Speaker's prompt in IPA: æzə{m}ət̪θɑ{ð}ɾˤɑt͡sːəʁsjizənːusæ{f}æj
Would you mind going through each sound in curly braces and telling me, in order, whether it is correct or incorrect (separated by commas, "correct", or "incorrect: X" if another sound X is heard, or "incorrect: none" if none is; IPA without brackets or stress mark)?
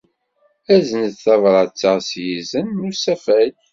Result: incorrect: n, incorrect: v, correct